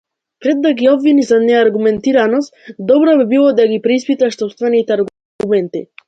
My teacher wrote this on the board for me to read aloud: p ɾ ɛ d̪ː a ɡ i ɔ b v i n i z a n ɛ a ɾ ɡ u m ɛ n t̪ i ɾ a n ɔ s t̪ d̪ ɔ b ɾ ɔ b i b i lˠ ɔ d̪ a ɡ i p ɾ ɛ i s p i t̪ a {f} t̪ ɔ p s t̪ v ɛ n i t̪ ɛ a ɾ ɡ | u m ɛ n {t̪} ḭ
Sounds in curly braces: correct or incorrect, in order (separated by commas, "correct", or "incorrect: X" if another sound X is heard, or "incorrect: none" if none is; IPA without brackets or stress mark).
incorrect: ʃ, correct